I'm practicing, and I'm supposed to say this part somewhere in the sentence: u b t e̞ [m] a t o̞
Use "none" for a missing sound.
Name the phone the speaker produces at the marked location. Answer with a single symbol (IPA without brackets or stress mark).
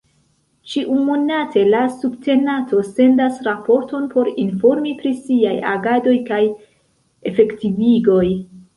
n